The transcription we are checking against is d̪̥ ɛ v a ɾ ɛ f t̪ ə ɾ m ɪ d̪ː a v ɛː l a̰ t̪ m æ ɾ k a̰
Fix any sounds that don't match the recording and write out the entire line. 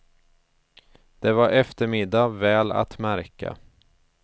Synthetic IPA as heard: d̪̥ ɛ v a ɾ ɛ f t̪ ə ɾ m ɪ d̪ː a v ɛː l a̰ t̪ m æ ɾ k a̰